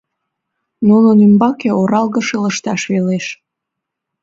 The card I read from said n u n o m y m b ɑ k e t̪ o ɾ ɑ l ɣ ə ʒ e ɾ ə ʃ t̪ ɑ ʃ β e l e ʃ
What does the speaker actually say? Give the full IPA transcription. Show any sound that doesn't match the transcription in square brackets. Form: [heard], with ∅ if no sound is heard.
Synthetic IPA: n u n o [n] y m b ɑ k e [∅] o ɾ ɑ l ɣ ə [ʃ] e [l] ə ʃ t̪ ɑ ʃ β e l e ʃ

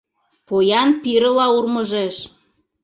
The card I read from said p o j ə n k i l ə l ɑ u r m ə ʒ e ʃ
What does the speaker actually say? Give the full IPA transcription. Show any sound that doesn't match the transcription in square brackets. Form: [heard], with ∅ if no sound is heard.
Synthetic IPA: p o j [ɑ] n [p] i [ɾ] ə l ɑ u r m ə ʒ e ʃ

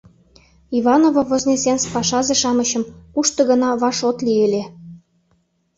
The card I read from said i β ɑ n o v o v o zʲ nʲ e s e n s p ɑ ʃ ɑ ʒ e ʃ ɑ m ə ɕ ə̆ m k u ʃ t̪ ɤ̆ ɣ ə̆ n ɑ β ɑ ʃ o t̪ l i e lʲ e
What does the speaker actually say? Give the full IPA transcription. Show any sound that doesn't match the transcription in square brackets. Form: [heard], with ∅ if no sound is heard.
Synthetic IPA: i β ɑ n o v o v o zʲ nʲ e s e n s p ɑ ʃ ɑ [z] e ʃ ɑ m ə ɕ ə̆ m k u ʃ t̪ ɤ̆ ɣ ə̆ n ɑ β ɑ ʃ o t̪ l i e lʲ e

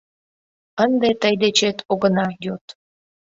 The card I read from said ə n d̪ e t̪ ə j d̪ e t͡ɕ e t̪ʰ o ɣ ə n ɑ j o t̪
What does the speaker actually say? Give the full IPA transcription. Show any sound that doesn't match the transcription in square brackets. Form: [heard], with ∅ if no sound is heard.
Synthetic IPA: ə n d̪ e t̪ ə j d̪ e t͡ɕ e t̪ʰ o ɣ ə n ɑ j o t̪

